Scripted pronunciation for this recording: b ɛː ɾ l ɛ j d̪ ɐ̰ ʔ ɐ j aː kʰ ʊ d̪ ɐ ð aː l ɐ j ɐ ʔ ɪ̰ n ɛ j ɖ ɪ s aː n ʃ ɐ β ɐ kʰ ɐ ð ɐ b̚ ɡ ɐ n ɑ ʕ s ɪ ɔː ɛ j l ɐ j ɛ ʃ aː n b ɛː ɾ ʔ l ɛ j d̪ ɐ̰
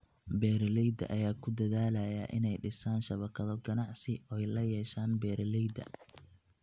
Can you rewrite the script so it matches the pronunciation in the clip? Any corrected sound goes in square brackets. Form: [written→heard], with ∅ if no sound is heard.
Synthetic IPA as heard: b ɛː ɾ l ɛ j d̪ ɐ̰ ʔ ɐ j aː kʰ ʊ d̪ ɐ ð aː l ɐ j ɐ ʔ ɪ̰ n ɛ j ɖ ɪ s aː n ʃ ɐ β ɐ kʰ ɐ ð ɐ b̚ ɡ ɐ n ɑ ʕ s ɪ ɔː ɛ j l ɐ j [ɛ→ɛː] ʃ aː n b ɛː ɾ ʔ l ɛ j d̪ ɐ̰